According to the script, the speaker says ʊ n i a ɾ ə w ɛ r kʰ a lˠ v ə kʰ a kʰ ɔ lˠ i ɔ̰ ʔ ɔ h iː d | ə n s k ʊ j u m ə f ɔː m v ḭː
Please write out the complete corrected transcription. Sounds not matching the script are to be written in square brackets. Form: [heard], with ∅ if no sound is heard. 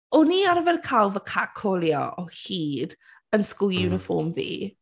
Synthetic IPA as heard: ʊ n i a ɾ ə [v] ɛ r kʰ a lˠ v ə kʰ a kʰ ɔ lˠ [j] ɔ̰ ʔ ɔ h iː d | ə n s k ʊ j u [n] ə f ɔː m v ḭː

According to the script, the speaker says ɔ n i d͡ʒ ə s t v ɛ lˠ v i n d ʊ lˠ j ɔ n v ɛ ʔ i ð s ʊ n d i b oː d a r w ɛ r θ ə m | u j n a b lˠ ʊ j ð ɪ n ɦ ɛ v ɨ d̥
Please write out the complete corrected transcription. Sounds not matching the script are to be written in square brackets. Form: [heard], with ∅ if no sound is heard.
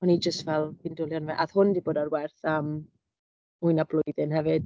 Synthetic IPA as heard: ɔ n i d͡ʒ ə s t v ɛ lˠ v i n d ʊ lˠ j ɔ n v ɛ ʔ [a] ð [h] ʊ n d i b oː d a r w ɛ r θ ə m | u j n a b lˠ ʊ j ð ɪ n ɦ ɛ v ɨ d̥

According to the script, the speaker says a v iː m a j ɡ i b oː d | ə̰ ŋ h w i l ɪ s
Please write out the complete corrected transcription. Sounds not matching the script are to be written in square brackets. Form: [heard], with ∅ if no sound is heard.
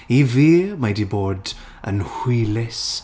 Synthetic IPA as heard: [i] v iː m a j [d] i b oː d | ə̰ [n] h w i l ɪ s

